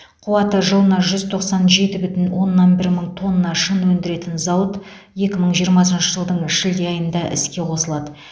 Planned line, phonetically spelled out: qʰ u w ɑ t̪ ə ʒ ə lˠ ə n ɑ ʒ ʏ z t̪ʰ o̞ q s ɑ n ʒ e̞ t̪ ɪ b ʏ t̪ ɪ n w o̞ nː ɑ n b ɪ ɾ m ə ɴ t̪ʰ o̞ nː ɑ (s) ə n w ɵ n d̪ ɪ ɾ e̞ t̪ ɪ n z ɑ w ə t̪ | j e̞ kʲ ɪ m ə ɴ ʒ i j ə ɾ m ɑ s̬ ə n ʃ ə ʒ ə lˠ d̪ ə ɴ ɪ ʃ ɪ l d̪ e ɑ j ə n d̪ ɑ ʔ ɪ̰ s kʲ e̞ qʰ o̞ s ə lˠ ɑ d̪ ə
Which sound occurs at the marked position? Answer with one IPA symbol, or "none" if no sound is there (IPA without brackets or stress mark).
ʃ